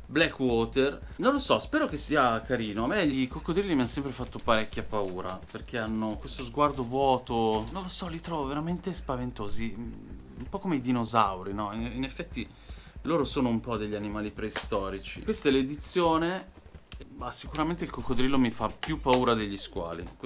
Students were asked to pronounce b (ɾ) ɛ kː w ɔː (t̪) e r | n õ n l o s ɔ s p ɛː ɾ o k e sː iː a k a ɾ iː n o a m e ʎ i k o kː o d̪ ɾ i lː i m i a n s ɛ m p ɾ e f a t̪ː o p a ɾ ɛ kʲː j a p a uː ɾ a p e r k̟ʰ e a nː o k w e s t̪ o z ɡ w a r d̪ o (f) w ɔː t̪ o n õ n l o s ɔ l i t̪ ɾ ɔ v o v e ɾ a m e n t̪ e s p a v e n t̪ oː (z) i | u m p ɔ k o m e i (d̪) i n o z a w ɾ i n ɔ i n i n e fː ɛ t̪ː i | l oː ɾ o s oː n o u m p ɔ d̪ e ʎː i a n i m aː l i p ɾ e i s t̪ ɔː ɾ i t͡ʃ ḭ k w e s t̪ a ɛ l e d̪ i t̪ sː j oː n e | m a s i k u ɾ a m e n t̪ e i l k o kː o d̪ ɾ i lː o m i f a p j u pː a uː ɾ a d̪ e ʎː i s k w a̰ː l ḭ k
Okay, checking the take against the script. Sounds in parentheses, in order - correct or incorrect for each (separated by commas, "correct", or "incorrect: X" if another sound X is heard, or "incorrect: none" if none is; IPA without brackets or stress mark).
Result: incorrect: l, correct, incorrect: v, correct, correct